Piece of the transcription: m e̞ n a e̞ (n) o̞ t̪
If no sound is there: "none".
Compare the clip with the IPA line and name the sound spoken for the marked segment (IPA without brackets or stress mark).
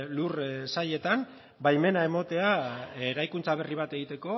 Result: m